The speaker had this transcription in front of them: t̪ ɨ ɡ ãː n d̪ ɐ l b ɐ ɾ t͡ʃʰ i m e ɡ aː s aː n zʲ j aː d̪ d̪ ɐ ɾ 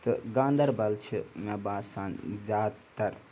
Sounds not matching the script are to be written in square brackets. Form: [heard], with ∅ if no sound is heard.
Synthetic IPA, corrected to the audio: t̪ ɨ ɡ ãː n d̪ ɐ [ɾ] b ɐ [l] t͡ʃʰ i m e [b] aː s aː n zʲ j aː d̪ [t̪] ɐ ɾ